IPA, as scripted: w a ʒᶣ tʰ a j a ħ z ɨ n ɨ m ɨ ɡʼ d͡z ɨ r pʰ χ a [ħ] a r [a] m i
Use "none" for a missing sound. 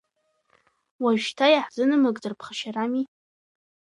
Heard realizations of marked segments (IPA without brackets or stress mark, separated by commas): ʃ, a